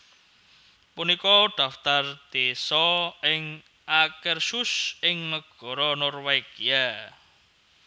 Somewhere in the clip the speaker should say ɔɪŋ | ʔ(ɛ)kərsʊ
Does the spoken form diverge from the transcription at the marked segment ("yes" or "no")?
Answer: yes